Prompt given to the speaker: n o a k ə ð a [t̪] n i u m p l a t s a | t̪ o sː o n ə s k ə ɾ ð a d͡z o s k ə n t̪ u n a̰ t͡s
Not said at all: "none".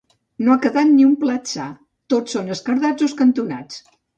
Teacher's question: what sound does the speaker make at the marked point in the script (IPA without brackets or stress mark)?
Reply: t̪